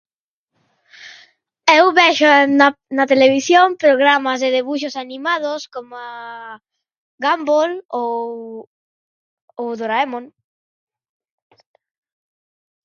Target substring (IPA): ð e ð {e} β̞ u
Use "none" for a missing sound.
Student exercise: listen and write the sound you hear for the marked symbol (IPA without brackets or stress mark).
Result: e